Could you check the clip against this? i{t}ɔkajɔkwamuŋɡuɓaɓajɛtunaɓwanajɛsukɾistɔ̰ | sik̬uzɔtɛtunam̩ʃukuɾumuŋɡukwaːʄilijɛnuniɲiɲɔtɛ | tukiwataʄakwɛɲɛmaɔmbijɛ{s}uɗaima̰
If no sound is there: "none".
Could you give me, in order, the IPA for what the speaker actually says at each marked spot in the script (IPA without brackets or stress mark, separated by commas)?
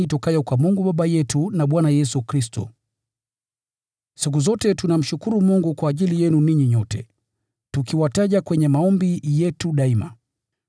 t, t